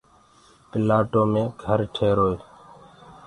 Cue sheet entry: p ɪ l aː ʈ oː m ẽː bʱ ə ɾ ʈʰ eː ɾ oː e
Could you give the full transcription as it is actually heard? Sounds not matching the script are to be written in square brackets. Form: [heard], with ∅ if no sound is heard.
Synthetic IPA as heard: p ɪ l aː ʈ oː m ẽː [ɡʱ] ə ɾ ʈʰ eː ɾ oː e